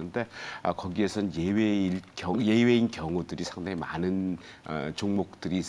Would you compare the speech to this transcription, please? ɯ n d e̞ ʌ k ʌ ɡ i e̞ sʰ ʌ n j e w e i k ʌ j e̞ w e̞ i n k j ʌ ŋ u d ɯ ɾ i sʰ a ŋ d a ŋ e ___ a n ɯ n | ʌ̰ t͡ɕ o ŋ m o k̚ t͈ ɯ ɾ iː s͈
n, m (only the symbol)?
m